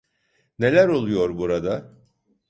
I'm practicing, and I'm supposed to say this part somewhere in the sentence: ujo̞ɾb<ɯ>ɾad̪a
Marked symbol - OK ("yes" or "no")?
no